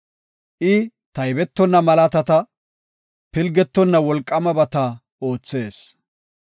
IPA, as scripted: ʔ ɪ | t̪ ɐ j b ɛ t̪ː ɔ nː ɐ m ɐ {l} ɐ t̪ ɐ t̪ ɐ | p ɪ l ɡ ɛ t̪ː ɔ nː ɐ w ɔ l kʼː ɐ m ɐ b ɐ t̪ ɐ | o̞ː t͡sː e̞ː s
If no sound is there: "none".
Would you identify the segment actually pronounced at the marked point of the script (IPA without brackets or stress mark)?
l